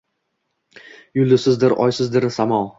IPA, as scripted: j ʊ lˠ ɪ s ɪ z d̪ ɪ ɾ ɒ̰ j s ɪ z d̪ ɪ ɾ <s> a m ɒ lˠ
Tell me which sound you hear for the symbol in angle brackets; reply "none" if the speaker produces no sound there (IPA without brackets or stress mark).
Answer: s